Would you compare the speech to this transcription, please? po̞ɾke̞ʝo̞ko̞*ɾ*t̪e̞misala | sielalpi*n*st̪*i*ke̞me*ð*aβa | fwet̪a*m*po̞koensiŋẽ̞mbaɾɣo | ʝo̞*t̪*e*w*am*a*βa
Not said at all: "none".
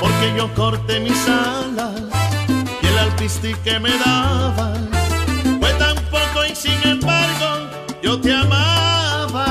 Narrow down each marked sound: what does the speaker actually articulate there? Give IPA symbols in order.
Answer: ɾ, none, i, ð, m, t̪, none, a

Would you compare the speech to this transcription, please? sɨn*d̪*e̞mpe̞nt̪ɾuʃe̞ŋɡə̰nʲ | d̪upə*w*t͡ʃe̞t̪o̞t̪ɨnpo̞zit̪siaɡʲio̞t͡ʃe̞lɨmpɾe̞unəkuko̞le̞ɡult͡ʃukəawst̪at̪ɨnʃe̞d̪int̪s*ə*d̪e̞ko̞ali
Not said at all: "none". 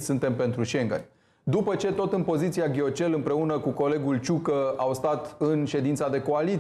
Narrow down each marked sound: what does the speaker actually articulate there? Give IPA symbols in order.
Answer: t̪, none, a

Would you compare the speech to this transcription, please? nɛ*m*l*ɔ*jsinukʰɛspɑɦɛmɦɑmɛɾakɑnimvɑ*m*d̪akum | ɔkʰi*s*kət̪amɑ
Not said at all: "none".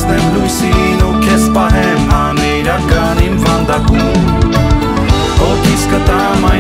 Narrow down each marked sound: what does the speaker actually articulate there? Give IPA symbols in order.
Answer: m, u, n, s

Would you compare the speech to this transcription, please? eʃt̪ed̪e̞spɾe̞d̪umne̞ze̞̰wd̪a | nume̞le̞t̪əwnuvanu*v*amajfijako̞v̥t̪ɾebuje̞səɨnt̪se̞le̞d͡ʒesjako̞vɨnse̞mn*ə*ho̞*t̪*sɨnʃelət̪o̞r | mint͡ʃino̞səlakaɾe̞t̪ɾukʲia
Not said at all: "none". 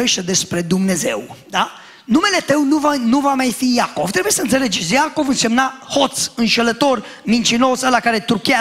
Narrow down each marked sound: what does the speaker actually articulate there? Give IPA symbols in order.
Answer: v, a, t̪

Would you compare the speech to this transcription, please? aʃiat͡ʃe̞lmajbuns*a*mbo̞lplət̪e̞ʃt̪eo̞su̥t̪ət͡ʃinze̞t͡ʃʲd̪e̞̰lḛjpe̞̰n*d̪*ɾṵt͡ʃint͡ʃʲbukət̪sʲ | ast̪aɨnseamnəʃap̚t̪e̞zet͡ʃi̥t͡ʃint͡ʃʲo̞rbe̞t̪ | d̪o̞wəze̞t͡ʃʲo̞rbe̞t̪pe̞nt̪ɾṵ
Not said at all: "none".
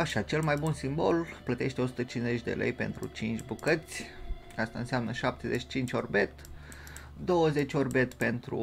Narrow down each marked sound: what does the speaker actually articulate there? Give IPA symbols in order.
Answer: i, t̪

